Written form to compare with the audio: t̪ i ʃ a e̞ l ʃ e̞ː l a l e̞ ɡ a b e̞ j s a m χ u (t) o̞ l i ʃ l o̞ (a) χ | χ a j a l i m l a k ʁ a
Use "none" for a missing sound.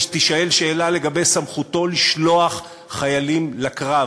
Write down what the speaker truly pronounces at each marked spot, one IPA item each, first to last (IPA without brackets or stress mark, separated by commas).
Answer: t, a